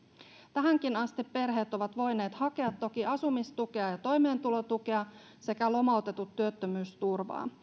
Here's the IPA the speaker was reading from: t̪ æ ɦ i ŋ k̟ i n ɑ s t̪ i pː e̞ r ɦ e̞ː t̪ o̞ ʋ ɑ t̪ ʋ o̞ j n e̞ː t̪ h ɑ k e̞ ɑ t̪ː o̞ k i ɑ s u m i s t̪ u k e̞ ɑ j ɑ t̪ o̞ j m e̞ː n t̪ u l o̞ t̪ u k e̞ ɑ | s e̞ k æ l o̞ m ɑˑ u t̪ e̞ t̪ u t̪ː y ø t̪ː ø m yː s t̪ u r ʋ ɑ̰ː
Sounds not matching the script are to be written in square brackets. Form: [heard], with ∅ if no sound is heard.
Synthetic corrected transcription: t̪ æ ɦ [æ] ŋ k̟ i n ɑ s t̪ i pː e̞ r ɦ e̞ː t̪ o̞ ʋ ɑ t̪ ʋ o̞ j n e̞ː t̪ h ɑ k e̞ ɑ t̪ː o̞ k i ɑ s u m i s t̪ u k e̞ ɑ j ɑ t̪ o̞ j m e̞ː n t̪ u l o̞ t̪ u k e̞ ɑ | s e̞ k æ l o̞ m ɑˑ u t̪ e̞ t̪ u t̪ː y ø t̪ː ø m yː s t̪ u r ʋ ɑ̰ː